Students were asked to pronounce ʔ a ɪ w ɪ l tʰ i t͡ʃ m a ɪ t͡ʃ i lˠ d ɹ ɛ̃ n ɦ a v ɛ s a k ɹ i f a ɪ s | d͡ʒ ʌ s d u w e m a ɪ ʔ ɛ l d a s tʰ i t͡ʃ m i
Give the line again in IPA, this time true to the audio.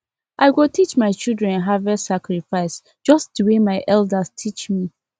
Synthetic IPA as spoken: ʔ a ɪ w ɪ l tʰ i t͡ʃ m a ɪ t͡ʃ i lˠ d ɹ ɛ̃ n ɦ a v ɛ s a k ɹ i f a ɪ s | d͡ʒ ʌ s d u w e m a ɪ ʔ ɛ l d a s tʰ i t͡ʃ m i